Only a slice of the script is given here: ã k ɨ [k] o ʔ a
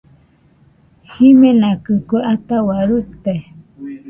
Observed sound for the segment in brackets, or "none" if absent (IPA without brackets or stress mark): k